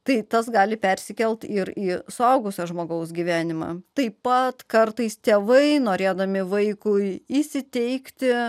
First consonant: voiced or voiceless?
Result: voiceless